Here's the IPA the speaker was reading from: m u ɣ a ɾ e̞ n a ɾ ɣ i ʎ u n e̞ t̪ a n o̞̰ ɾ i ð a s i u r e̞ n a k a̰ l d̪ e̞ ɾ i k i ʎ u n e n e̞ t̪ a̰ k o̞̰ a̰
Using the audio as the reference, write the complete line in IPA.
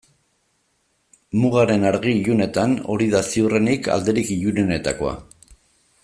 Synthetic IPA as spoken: m u ɣ a ɾ e̞ n a ɾ ɣ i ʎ u n e̞ t̪ a n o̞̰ ɾ i ð a s i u r e̞ n i k a̰ l d̪ e̞ ɾ i k i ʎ u n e n e̞ t̪ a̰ k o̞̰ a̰